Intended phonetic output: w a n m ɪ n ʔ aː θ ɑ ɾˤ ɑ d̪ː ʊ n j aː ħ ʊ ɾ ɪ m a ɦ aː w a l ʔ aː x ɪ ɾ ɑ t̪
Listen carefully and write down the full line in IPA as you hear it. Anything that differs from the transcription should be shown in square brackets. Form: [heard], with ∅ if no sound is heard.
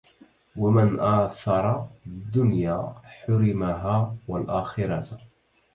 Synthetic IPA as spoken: w a [∅] m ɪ n ʔ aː θ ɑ ɾˤ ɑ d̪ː ʊ n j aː ħ ʊ ɾ ɪ m a ɦ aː w a l ʔ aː x ɪ ɾ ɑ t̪